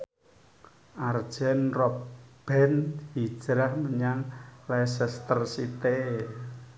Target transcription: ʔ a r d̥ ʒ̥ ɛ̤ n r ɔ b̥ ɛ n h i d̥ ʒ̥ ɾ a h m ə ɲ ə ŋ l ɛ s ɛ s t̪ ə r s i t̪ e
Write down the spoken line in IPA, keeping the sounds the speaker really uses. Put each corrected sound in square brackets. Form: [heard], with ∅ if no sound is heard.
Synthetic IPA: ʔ a r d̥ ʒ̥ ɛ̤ n r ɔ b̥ ɛ n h i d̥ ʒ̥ ɾ a h m ə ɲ [a] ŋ l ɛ s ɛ s t̪ ə r s i t̪ e

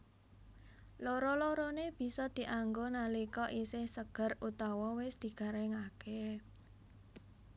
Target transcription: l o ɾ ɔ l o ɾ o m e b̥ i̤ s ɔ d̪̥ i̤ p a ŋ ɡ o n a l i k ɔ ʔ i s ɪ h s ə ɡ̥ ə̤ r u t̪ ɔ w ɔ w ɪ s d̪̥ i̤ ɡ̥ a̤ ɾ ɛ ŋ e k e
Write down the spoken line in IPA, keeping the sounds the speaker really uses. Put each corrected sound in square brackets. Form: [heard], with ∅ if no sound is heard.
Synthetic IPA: l o ɾ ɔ l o ɾ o [n] e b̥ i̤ s ɔ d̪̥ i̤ [ʔ] a ŋ ɡ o n a l i k ɔ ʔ i s ɪ h s ə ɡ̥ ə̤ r u t̪ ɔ w ɔ w ɪ s d̪̥ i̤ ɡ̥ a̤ ɾ ɛ ŋ [a] k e

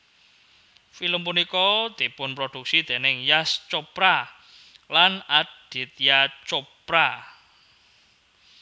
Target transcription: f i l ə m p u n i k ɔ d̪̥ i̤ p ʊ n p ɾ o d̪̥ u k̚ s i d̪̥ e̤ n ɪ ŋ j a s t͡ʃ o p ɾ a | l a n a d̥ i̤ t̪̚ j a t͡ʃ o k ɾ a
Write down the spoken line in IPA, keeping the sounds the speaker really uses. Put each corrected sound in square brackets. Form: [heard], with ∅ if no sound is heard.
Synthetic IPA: f i l ə m p u n i k ɔ d̪̥ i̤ p ʊ n p ɾ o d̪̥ u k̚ s i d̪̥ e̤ n ɪ ŋ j a s t͡ʃ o p ɾ a | l a n a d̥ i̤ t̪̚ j a t͡ʃ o [p] ɾ a

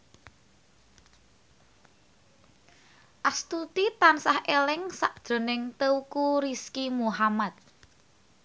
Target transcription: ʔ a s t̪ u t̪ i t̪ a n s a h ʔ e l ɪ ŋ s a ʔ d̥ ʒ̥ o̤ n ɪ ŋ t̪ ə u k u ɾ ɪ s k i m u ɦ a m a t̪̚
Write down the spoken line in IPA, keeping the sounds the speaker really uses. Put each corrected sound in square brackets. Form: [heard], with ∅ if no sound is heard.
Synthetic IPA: ʔ a s t̪ u t̪ i t̪ a n s a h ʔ e l ɪ ŋ s a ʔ d̥ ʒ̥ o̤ n ɪ ŋ t̪ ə u k u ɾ [i] s k i m u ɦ a m a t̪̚

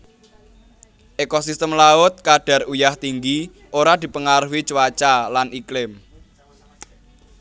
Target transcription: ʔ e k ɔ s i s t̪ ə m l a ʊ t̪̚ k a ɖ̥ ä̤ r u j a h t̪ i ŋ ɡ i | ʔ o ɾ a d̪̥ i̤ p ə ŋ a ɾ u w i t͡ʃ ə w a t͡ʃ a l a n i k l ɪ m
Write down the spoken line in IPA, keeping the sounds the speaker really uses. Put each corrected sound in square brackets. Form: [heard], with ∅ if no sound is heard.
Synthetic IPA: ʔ e k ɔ s i s t̪ ə m l a ʊ t̪̚ k a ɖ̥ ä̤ r u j a h t̪ i ŋ ɡ i | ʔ o ɾ a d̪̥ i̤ p ə ŋ a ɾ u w i t͡ʃ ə w a t͡ʃ a l a n i k l ɪ m

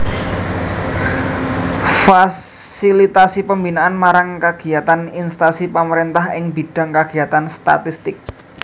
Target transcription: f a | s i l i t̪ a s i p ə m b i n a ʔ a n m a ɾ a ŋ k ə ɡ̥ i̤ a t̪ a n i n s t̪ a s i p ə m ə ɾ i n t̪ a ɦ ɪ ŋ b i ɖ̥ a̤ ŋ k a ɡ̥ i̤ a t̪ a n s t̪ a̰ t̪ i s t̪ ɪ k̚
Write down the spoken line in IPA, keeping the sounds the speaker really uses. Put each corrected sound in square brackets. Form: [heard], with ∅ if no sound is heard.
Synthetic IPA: f a | s i l i t̪ a s i p ə m b i n a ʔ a n m a ɾ a ŋ k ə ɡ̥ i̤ a t̪ a n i n s t̪ a s i p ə m ə ɾ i n t̪ a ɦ ɪ ŋ b i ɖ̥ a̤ ŋ k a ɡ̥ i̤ a t̪ a n s t̪ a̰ t̪ i s t̪ ɪ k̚

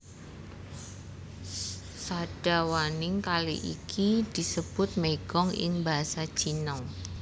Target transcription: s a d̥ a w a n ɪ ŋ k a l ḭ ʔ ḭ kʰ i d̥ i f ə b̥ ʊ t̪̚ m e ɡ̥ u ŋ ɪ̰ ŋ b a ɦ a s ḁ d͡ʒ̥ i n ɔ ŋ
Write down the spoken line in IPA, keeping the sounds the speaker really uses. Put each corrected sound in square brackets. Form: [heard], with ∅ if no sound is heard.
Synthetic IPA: s a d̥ a w a n ɪ ŋ k a l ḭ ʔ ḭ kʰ i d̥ i [s] ə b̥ ʊ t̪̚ m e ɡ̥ [ɔ] ŋ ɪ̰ ŋ b a ɦ a s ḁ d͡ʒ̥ i n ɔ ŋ

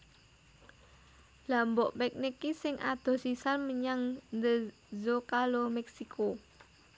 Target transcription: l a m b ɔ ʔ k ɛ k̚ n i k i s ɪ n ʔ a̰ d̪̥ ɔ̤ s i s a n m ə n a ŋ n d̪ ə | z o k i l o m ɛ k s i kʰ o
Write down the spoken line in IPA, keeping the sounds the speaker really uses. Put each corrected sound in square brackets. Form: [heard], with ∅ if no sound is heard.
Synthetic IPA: l a m b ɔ ʔ [p] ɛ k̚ n i k i s ɪ [ŋ] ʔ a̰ d̪̥ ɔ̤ s i s a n m ə [ɲ] a ŋ n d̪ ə | z o k [a] l o m ɛ k s i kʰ o

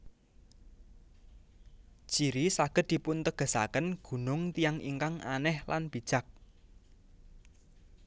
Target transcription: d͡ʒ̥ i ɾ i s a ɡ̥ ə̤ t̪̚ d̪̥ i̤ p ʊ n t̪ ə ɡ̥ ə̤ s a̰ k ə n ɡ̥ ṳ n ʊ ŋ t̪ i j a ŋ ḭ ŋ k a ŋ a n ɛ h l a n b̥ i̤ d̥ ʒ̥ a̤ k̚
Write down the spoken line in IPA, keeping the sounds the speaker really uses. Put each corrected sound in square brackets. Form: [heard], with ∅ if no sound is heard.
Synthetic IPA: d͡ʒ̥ i ɾ i s a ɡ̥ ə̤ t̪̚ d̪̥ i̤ p ʊ n t̪ ə ɡ̥ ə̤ s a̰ k ə n ɡ̥ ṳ n ʊ ŋ t̪ i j a ŋ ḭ ŋ k a ŋ a n ɛ h l a n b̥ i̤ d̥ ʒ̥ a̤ k̚

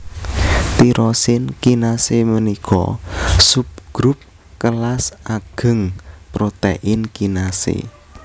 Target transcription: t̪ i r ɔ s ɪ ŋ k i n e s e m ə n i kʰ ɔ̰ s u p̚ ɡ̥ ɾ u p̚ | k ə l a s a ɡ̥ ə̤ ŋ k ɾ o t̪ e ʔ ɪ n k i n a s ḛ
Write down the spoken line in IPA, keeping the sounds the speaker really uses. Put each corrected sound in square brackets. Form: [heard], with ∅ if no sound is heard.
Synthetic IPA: t̪ i [ɾ] ɔ s ɪ [n] k i n [a] s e m ə n i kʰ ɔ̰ s u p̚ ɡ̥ ɾ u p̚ | k ə l a s a ɡ̥ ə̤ ŋ [p] ɾ o t̪ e ʔ ɪ n k i n a s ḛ

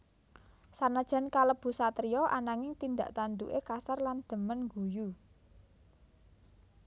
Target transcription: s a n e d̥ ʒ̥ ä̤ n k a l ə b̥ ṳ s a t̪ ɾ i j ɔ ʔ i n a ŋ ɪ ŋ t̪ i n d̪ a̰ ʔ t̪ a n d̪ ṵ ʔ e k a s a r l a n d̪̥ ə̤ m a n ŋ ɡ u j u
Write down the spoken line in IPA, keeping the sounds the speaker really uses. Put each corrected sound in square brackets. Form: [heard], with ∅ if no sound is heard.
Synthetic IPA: s a n [a] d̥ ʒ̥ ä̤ n k a l ə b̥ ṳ s a t̪ ɾ i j ɔ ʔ [a] n a ŋ ɪ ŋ t̪ i n d̪ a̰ ʔ t̪ a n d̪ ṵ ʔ e k a s a r l a n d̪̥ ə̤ m [ə] n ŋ ɡ u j u

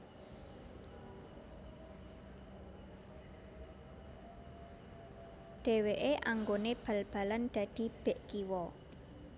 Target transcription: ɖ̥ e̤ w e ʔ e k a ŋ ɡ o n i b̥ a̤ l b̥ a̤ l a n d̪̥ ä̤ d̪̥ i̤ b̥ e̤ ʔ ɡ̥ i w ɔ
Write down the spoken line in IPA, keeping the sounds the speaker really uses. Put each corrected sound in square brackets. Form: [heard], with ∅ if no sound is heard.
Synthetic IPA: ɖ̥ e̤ w e ʔ e [ʔ] a ŋ ɡ o n [e] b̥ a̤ l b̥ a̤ l a n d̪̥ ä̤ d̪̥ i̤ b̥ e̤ ʔ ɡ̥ i w ɔ

